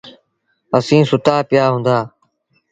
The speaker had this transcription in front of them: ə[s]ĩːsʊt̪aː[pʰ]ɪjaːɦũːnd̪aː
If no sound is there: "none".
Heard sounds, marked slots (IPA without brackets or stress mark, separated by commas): s, p